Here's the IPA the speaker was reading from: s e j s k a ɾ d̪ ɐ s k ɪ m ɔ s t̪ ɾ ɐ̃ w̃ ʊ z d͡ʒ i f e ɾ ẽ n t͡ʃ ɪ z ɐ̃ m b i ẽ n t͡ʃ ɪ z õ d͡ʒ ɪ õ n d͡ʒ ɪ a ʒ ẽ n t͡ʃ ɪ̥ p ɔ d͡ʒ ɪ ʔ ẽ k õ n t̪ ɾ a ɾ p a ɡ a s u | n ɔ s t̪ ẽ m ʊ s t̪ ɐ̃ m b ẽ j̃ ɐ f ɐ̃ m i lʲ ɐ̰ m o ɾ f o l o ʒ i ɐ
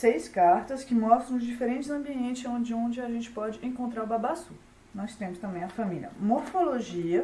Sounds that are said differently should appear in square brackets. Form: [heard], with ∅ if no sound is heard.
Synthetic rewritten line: s e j s k a ɾ [t̪] ɐ s k ɪ m ɔ s t̪ ɾ ɐ̃ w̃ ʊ z d͡ʒ i f e ɾ ẽ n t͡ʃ ɪ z ɐ̃ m b i ẽ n t͡ʃ ɪ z õ d͡ʒ ɪ õ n d͡ʒ ɪ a ʒ ẽ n t͡ʃ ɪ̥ p ɔ d͡ʒ ɪ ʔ ẽ k õ n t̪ ɾ a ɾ [b] a [b] a s u | n ɔ s t̪ ẽ m ʊ s t̪ ɐ̃ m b ẽ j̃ ɐ f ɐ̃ m i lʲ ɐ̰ m o ɾ f o l o ʒ i ɐ

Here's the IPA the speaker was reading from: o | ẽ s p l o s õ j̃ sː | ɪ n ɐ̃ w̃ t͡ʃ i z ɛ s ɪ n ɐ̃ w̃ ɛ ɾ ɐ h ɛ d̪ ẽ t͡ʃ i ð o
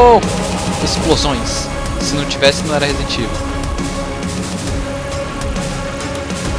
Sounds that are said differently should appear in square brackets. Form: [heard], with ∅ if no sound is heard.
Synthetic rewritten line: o | [e] s p l o [z] õ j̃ sː | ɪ n ɐ̃ w̃ t͡ʃ i [v] ɛ s ɪ n ɐ̃ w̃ ɛ ɾ ɐ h [e] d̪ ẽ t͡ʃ i [v] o

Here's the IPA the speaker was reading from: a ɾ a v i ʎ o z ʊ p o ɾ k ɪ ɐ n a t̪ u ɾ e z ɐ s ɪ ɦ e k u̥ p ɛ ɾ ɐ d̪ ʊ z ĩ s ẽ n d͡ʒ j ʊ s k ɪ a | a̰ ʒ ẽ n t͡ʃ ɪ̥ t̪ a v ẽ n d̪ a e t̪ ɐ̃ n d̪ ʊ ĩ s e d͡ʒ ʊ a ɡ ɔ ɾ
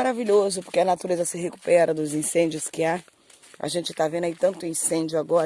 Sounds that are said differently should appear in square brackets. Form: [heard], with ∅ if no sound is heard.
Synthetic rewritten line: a ɾ a v i ʎ o z ʊ p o ɾ k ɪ ɐ n a t̪ u ɾ e z ɐ s ɪ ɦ e k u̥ p ɛ ɾ ɐ d̪ ʊ z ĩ s ẽ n d͡ʒ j ʊ s k ɪ a | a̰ ʒ ẽ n t͡ʃ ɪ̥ t̪ a v ẽ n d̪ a [i] t̪ ɐ̃ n [t̪] ʊ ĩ s [ẽ] d͡ʒ ʊ a ɡ ɔ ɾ

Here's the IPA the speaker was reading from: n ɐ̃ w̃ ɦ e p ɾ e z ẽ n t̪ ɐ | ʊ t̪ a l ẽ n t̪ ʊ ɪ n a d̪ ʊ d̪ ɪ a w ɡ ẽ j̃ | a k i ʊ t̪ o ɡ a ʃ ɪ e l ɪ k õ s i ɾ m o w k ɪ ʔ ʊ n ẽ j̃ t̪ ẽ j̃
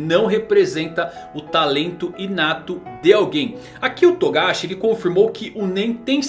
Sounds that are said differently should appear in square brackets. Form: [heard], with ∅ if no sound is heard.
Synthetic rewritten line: n ɐ̃ w̃ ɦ e p ɾ e z ẽ n t̪ ɐ | ʊ t̪ a l ẽ n t̪ ʊ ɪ n a [t̪] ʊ d̪ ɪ a w ɡ ẽ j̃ | a k i ʊ t̪ o ɡ a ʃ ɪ e l ɪ k õ [f] i ɾ m o w k ɪ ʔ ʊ n ẽ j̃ t̪ ẽ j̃

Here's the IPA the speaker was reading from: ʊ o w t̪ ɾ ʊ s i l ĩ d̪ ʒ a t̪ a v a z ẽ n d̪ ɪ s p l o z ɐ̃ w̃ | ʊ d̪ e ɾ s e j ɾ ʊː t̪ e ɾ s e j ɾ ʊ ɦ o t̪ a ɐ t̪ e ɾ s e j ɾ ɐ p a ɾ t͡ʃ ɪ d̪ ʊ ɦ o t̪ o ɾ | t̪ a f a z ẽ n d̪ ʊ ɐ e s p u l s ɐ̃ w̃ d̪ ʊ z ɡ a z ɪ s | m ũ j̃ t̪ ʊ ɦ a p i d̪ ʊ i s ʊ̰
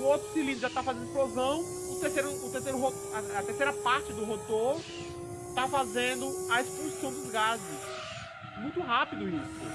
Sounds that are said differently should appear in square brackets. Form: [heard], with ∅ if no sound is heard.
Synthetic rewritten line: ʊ o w t̪ ɾ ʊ s i l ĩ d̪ ʒ a t̪ a [f] a z ẽ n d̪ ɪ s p l o z ɐ̃ w̃ | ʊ [t̪] e ɾ s e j ɾ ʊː t̪ e ɾ s e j ɾ ʊ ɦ o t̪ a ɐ t̪ e ɾ s e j ɾ ɐ p a ɾ t͡ʃ ɪ d̪ ʊ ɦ o t̪ o ɾ | t̪ a f a z ẽ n d̪ ʊ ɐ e s p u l s ɐ̃ w̃ d̪ ʊ z ɡ a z ɪ s | m ũ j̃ t̪ ʊ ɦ a p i d̪ ʊ i s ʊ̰

